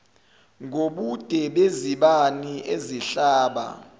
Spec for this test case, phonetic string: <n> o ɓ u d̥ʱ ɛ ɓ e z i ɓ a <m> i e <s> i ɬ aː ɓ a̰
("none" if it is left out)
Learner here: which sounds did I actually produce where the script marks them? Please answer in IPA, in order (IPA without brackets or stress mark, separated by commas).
ŋ, n, z